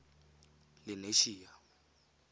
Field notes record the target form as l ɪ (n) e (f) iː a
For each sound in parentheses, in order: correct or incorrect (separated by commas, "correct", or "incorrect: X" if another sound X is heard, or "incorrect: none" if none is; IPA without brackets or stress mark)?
correct, incorrect: ʃ